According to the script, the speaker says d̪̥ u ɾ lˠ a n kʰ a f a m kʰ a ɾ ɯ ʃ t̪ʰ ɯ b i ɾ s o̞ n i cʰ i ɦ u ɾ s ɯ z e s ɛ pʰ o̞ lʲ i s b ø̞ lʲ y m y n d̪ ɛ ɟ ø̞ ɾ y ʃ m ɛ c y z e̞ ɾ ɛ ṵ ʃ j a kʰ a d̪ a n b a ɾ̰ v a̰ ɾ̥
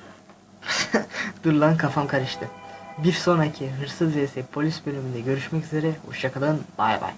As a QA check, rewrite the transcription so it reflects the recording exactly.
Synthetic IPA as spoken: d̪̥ u ɾ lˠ a n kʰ a f a m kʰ a ɾ ɯ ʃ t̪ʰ ɯ b i ɾ s o̞ n a cʰ i ɦ ɯ ɾ s ɯ z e s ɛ pʰ o̞ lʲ i s b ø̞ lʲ y m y n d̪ ɛ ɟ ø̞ ɾ y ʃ m ɛ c y z e̞ ɾ ɛ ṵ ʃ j a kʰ a d̪ a n b a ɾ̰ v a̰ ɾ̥